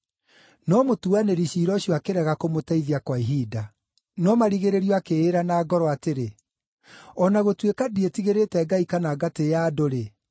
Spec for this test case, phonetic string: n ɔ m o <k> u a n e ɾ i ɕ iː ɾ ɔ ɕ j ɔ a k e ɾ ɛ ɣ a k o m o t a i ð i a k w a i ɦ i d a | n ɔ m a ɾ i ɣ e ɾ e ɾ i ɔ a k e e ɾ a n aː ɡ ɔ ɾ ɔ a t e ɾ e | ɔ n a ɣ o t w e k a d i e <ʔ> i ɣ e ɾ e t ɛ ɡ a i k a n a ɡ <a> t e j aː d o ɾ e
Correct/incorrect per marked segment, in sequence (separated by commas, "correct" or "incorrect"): incorrect, incorrect, correct